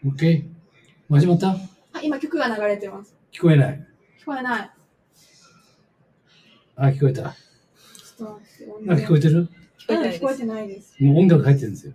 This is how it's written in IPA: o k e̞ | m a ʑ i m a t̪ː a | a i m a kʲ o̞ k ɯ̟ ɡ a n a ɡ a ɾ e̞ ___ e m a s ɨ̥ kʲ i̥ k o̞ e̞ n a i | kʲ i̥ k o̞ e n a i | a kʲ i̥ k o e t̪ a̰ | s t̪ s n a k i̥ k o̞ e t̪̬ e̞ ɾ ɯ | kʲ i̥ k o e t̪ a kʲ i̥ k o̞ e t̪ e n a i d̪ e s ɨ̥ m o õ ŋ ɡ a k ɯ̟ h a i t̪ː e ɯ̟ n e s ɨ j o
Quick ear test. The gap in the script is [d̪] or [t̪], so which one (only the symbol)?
t̪